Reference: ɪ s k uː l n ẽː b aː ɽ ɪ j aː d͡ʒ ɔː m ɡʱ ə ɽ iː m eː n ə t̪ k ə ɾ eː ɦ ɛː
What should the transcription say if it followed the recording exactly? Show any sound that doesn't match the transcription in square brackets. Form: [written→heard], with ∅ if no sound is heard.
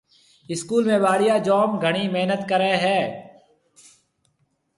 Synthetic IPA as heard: ɪ s k uː l [n→m] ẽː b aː ɽ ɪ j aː d͡ʒ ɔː m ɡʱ ə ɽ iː m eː n ə t̪ k ə ɾ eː ɦ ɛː